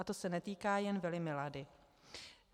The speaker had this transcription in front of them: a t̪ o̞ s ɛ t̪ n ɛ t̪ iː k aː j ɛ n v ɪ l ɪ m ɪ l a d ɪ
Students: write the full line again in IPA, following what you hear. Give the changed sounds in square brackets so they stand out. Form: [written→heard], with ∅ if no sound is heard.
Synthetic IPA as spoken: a t̪ o̞ s ɛ [t̪→∅] n ɛ t̪ iː k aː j ɛ n v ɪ l ɪ m ɪ l a d ɪ